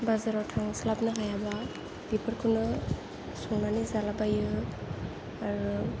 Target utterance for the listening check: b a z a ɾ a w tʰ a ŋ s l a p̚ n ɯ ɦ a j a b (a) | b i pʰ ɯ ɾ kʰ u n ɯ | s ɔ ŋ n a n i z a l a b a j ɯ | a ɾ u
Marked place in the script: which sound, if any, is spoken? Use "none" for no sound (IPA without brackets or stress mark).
a